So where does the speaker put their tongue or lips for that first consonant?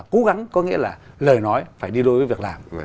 velum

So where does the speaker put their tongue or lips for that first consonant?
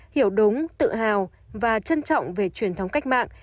throat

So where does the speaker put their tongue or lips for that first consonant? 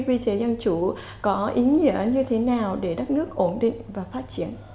lips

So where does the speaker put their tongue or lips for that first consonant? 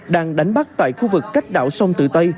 tongue tip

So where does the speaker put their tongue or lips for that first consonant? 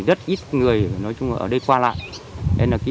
tongue tip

